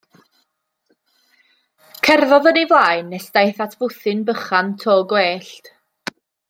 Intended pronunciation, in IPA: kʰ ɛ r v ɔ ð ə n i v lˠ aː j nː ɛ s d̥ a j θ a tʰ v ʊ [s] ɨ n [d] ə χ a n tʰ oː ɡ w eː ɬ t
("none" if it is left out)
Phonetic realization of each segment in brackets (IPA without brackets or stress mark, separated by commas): θ, b